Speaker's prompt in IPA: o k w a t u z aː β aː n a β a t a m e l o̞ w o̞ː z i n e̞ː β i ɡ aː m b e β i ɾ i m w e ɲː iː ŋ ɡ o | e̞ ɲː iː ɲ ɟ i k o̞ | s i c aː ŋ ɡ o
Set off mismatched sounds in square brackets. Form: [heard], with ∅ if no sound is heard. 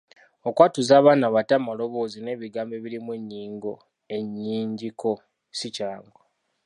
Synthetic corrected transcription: o k w a t u z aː β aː n a β a t a m [a] l o̞ [β] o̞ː z i n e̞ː β i ɡ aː m b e β i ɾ i m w e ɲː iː ŋ ɡ o | e̞ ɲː iː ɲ ɟ i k o̞ | s i c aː ŋ ɡ o